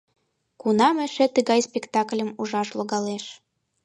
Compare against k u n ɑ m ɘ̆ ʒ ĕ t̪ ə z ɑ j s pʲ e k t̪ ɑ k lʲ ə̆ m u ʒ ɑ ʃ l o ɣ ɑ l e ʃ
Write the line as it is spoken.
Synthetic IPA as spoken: k u n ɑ m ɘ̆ ʃ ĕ t̪ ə ɣ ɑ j s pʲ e k t̪ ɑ k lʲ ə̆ m u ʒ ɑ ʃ l o ɣ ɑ l e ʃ

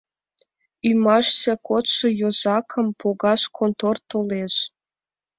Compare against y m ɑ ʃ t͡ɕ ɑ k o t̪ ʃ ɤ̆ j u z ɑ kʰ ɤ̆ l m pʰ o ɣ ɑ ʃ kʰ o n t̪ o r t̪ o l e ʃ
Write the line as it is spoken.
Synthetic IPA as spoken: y m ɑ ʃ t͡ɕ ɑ k o t̪ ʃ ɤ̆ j o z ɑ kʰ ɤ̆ m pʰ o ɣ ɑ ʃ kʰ o n t̪ o r t̪ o l e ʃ

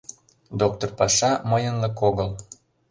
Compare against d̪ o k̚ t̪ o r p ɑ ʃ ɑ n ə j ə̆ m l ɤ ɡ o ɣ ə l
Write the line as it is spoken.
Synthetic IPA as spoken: d̪ o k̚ t̪ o r p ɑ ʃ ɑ m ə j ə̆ n l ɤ k o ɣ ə l

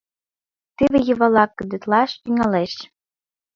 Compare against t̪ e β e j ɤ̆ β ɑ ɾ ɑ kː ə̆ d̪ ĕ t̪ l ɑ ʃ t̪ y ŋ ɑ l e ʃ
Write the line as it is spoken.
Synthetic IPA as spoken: t̪ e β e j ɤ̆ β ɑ l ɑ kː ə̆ d̪ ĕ t̪ l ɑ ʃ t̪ y ŋ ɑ l e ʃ

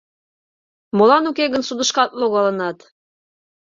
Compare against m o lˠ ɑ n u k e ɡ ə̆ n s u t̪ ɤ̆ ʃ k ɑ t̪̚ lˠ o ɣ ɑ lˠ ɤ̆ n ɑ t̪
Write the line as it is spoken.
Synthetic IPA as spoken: m o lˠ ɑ n u k e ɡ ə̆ n s u d̪ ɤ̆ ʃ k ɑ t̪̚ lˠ o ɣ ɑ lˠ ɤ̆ n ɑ t̪

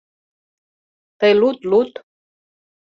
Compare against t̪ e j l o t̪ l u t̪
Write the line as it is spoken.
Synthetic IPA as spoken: t̪ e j l u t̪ l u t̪

